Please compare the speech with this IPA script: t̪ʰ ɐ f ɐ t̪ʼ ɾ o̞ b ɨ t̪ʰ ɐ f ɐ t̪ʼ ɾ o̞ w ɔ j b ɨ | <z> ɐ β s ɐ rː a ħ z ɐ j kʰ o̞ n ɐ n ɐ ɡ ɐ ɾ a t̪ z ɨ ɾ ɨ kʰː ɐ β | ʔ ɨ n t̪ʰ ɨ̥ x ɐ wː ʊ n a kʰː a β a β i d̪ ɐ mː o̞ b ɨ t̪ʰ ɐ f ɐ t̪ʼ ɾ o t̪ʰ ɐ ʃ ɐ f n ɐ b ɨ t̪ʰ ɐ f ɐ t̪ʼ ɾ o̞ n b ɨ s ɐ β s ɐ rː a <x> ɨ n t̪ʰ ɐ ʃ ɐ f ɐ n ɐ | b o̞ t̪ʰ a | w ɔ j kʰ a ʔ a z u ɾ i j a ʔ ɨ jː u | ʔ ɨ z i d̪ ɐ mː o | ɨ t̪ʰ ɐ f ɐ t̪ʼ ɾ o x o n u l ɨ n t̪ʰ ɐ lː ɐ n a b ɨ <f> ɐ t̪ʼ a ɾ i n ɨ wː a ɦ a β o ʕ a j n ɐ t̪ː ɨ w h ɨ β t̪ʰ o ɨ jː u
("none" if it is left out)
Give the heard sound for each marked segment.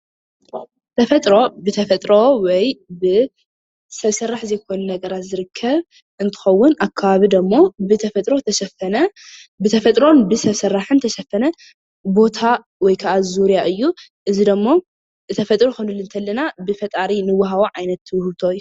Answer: s, ħ, f

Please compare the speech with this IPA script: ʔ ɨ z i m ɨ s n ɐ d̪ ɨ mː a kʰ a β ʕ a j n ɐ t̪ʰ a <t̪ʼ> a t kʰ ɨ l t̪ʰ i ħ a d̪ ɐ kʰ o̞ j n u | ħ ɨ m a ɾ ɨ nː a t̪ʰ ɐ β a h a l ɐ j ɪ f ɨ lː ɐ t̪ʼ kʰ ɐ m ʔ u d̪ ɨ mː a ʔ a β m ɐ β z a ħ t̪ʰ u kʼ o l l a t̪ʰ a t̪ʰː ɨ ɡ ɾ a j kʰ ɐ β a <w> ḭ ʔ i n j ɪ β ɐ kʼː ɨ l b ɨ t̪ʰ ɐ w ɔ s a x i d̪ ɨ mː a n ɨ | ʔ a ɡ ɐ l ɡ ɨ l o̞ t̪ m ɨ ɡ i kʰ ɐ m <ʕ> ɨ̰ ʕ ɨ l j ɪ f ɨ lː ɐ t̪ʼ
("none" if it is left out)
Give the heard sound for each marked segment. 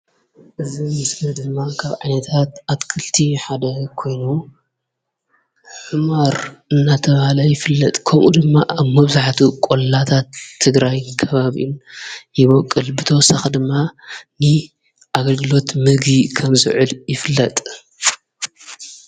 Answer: t̪, β, z

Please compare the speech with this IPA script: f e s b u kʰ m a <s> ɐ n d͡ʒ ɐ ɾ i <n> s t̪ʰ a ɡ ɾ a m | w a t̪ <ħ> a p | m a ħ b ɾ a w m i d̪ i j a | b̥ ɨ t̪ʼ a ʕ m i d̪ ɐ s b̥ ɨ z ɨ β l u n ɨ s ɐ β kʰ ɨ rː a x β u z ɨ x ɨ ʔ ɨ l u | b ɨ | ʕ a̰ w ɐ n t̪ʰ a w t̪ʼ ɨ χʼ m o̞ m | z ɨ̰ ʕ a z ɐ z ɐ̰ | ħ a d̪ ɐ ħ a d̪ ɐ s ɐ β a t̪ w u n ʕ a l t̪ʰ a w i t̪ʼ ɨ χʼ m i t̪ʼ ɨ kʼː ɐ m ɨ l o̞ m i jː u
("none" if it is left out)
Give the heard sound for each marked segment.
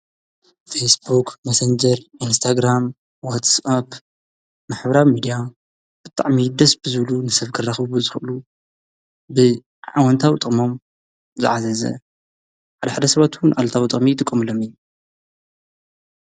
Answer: s, n, s

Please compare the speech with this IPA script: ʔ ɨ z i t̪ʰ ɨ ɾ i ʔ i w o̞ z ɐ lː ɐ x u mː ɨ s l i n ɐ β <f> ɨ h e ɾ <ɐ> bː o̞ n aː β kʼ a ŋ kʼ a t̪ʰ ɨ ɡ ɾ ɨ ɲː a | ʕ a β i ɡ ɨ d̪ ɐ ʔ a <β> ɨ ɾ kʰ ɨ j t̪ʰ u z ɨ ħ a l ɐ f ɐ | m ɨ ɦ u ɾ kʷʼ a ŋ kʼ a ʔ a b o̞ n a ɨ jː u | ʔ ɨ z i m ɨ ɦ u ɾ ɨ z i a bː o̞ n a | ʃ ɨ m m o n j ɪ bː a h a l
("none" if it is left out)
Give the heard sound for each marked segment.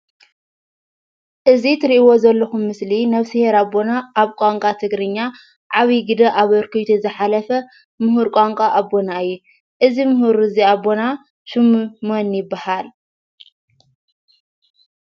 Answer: s, a, β

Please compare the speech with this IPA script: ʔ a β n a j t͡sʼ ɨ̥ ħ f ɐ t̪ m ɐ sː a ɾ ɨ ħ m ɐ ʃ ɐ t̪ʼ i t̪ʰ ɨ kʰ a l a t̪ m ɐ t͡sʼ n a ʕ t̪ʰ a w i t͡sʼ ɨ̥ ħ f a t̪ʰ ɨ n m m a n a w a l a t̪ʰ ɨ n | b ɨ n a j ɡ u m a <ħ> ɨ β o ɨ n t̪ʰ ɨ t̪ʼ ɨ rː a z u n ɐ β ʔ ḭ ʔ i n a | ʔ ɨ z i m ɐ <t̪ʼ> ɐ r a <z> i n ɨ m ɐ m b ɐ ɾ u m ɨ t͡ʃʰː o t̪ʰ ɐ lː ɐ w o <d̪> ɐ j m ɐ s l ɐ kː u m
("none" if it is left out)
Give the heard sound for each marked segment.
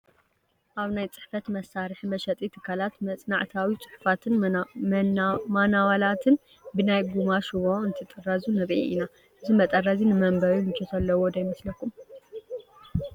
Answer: ʃ, t̪ʼ, z, d̪

